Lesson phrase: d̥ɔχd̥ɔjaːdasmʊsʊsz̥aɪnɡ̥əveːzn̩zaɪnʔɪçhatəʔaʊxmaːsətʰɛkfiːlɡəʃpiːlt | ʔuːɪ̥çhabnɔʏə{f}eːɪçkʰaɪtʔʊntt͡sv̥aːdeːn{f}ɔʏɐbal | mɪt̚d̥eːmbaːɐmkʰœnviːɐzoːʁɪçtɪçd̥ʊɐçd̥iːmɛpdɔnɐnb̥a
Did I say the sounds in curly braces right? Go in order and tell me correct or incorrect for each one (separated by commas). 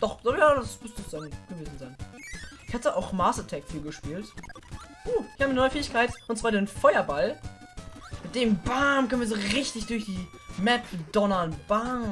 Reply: correct, correct